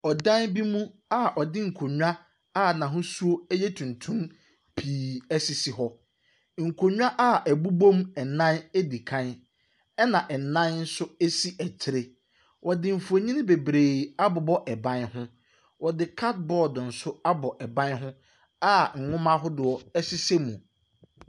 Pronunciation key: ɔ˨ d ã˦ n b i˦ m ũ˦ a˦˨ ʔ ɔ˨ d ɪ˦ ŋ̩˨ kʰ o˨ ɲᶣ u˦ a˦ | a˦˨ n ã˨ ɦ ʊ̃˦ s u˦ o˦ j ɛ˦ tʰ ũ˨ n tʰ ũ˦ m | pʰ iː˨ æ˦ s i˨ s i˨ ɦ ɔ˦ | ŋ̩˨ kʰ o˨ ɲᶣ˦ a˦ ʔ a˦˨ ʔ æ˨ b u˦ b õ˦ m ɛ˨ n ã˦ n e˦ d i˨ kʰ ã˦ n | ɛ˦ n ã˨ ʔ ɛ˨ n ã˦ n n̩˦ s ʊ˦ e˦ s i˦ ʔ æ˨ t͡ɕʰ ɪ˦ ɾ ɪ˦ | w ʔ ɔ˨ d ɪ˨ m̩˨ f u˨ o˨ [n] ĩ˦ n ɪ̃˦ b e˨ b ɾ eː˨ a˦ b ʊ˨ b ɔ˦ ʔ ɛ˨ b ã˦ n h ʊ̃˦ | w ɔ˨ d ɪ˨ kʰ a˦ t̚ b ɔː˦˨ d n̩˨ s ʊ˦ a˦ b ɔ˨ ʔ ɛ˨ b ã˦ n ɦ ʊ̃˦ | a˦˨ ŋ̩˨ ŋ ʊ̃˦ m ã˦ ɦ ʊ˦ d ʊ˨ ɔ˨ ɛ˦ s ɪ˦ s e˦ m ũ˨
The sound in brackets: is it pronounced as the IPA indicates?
no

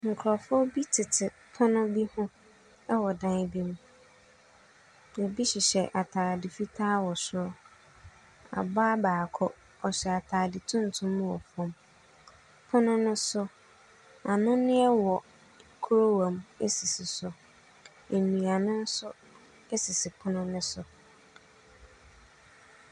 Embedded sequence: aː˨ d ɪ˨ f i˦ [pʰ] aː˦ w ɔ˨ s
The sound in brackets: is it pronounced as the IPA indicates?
no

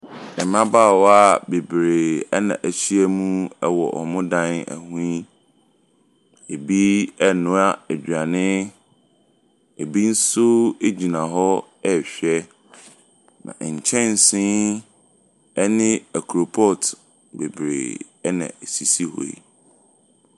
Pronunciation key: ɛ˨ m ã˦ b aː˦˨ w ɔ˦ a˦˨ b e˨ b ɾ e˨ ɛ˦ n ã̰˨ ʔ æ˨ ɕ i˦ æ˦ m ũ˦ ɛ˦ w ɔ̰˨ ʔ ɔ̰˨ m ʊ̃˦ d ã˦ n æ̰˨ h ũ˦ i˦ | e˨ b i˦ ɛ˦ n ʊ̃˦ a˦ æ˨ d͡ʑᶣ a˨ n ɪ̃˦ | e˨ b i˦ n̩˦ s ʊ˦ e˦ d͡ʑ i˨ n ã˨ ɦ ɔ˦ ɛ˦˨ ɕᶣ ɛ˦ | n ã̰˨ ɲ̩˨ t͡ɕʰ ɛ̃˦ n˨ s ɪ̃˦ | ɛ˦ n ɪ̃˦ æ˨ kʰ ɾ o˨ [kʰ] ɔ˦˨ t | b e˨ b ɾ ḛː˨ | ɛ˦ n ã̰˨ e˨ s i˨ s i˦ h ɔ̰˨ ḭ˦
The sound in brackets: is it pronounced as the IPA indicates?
no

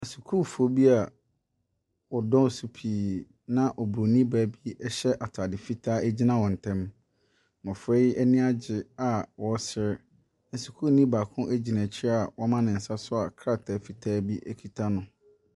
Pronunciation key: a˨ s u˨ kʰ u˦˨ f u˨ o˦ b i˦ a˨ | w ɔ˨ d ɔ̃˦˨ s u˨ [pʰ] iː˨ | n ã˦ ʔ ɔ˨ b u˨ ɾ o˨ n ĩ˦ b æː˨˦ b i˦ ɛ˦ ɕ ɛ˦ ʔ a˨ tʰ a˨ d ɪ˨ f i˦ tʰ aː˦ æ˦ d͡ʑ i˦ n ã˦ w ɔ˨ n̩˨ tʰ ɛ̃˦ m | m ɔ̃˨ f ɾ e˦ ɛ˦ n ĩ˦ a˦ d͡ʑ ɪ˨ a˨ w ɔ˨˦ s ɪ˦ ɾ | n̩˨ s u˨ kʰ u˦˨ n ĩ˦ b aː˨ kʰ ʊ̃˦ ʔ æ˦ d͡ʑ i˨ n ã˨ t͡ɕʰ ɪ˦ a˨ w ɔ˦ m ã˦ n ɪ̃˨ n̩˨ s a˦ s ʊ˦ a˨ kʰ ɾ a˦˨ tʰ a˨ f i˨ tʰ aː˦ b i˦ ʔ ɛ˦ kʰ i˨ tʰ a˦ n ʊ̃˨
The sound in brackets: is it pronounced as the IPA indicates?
yes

